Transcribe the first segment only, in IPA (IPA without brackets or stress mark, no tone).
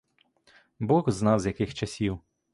b